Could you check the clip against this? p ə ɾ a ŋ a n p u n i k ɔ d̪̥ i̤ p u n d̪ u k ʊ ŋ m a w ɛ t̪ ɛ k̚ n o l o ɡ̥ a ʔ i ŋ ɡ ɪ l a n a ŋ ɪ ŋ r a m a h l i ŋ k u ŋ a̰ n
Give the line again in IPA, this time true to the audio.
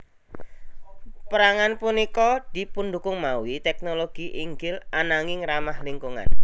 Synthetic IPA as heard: p ə ɾ a ŋ a n p u n i k ɔ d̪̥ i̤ p u n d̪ u k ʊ ŋ m a w i t̪ ɛ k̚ n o l o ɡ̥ i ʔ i ŋ ɡ ɪ l a n a ŋ ɪ ŋ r a m a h l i ŋ k u ŋ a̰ n